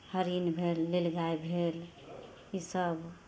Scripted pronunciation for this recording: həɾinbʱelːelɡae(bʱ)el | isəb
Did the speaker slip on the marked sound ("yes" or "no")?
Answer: no